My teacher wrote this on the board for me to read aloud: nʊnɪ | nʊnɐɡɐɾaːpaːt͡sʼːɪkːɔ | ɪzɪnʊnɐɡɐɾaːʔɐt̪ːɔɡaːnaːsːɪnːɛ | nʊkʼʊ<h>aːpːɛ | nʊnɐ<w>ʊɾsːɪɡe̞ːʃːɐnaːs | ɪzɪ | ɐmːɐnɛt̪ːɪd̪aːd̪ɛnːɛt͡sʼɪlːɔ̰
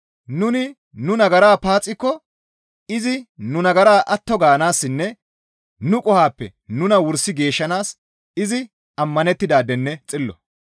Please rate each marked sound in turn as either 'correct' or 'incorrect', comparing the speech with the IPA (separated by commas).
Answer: correct, correct